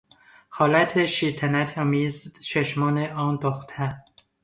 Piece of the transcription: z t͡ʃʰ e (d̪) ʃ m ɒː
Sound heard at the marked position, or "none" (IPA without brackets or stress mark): none